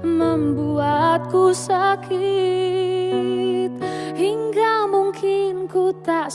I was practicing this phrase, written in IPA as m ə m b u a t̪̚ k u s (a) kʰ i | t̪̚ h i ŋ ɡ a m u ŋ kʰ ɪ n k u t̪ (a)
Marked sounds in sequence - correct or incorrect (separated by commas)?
correct, correct